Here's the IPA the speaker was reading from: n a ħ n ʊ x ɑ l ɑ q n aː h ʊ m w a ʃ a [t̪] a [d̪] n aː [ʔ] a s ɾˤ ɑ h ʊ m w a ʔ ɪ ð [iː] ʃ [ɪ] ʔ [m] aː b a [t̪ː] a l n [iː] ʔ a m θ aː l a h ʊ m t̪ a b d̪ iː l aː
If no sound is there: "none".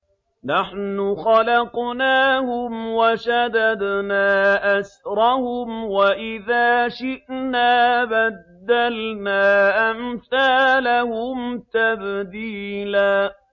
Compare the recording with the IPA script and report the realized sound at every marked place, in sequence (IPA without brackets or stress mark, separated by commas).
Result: d̪, d̪, ʔ, aː, ɪ, n, d̪ː, aː